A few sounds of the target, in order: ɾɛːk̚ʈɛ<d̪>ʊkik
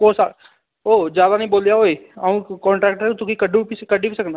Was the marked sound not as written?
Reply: yes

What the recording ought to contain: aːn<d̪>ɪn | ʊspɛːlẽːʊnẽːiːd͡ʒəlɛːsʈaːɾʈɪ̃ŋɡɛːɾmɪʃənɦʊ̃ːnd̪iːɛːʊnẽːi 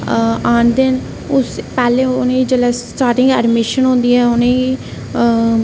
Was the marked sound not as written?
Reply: no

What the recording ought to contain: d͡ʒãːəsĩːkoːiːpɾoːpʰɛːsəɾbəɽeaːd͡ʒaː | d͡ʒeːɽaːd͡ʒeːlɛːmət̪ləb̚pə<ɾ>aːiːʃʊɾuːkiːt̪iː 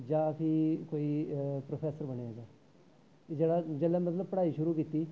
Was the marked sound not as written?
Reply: yes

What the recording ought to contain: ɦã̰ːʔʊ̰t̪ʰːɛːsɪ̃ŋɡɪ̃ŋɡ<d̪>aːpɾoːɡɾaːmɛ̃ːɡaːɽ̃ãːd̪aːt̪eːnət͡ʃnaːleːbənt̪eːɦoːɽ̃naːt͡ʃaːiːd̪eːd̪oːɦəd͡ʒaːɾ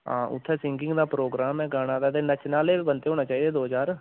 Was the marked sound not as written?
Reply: no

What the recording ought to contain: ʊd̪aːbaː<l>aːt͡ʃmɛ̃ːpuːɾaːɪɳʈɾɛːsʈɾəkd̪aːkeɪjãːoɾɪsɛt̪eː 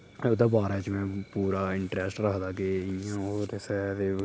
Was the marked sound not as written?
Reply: yes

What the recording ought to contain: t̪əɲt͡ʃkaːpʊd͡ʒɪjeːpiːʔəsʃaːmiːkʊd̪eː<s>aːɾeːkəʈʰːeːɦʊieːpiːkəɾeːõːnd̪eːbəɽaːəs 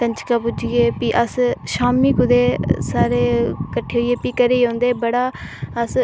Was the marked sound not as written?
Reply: no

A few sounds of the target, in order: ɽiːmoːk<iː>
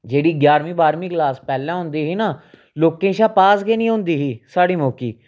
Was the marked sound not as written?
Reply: no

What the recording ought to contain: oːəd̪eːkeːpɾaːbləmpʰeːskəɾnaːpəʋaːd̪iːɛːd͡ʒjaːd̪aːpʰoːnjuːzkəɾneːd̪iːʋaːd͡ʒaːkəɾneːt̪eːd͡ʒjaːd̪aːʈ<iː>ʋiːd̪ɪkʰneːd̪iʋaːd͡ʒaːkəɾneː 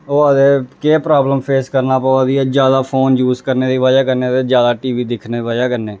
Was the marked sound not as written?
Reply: no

